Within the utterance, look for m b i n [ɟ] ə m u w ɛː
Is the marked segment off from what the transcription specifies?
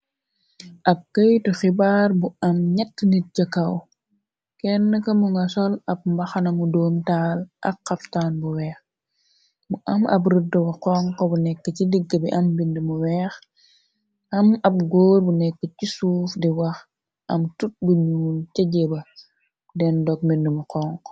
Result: yes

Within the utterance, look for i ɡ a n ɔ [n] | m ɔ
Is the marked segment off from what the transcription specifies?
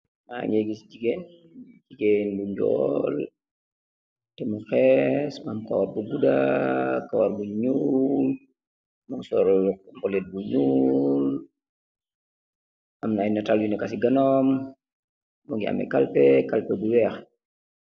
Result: yes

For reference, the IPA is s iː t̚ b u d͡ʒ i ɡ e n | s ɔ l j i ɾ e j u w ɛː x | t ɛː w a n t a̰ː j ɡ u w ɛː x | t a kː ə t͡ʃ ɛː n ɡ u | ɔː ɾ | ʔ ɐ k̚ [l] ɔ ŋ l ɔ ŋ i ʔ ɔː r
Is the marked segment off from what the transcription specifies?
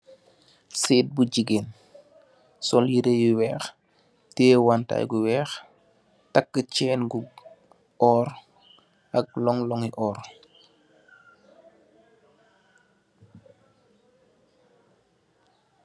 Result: no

